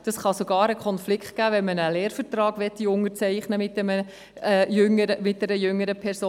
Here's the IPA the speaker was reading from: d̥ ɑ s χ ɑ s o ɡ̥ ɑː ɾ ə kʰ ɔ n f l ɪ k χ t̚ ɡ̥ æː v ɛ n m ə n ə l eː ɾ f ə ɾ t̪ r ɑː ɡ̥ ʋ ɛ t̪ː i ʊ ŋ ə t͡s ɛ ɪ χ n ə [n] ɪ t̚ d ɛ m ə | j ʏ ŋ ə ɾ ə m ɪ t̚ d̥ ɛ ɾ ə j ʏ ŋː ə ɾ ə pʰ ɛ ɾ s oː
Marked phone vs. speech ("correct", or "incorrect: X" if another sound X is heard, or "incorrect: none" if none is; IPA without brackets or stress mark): incorrect: m